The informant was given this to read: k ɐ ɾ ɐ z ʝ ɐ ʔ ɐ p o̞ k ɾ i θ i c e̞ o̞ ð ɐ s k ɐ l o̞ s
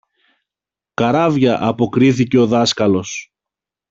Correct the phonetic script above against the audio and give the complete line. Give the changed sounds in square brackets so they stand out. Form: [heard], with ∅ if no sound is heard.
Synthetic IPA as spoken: k ɐ ɾ ɐ [v] ʝ ɐ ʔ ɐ p o̞ k ɾ i θ i c e̞ o̞ ð ɐ s k ɐ l o̞ s